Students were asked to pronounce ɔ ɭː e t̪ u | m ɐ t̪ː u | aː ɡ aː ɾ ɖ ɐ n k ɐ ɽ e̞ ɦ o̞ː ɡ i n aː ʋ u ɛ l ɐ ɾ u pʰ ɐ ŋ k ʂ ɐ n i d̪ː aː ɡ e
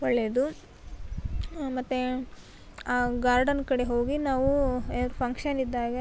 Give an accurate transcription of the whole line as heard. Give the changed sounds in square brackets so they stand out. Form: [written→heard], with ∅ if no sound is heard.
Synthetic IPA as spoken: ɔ ɭː e [t̪→d̪] u | m ɐ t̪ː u | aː ɡ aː ɾ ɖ ɐ n k ɐ ɽ e̞ ɦ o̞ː ɡ i n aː ʋ u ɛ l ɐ ɾ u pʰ ɐ ŋ k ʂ ɐ n i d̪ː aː ɡ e